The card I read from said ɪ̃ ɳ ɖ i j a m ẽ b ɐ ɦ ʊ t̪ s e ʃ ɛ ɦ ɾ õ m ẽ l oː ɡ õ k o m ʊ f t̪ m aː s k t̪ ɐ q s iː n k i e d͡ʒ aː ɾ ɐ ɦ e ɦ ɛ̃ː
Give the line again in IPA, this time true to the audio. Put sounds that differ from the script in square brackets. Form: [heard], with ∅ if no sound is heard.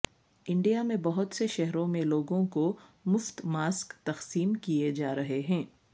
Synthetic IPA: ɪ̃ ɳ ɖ i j a m ẽ b ɐ ɦ ʊ t̪ s e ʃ ɛ ɦ ɾ õ m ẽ l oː ɡ õ k o m ʊ f t̪ m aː s k t̪ ɐ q s iː [m] k i e d͡ʒ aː ɾ ɐ ɦ e ɦ ɛ̃ː